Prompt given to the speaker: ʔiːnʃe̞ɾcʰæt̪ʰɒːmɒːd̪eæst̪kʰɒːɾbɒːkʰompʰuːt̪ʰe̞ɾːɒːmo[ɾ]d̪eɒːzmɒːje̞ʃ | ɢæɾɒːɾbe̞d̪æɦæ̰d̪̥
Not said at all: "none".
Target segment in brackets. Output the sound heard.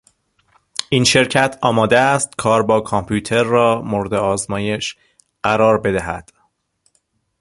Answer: ɾ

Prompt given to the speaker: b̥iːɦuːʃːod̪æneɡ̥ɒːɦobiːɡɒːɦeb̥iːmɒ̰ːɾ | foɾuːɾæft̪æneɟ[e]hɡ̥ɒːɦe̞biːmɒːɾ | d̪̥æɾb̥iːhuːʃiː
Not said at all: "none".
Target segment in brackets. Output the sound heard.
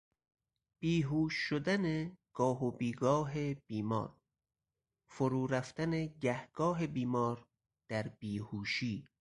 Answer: æ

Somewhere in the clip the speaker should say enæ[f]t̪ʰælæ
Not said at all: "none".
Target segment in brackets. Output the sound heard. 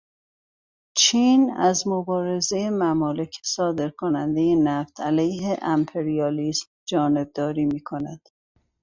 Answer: f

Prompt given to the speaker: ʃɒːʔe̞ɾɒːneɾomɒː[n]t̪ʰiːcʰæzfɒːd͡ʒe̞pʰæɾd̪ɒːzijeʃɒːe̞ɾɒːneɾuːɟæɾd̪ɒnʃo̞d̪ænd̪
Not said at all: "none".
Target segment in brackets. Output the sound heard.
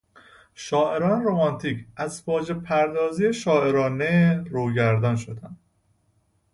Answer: n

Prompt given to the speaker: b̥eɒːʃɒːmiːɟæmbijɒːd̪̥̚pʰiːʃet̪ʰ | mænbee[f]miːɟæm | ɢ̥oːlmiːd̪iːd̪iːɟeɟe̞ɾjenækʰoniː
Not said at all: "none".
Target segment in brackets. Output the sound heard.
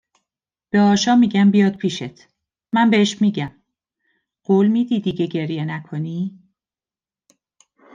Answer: ʃ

